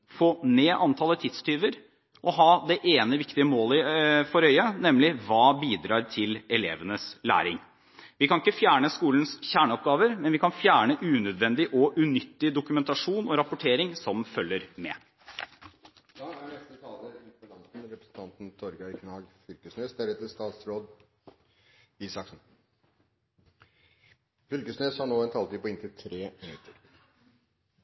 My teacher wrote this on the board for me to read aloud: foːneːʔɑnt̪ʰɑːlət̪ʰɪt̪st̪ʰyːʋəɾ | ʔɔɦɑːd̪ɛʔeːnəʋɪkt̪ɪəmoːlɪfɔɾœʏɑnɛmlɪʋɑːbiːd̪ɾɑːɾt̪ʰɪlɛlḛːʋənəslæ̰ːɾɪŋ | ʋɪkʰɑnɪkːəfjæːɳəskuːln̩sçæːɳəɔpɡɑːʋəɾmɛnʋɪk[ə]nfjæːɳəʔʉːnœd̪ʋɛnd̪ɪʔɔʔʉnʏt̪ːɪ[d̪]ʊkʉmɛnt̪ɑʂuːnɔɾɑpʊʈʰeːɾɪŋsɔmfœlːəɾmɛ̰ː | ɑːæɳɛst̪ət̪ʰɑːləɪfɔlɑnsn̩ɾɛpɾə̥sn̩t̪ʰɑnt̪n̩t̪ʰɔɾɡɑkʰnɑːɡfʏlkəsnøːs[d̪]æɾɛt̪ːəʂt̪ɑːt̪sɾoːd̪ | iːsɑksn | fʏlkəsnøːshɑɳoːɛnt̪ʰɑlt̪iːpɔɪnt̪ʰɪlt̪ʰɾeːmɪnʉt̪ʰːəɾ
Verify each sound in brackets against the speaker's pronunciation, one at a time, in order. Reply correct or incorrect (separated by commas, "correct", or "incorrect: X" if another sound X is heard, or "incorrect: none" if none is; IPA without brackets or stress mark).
incorrect: ɑ, correct, correct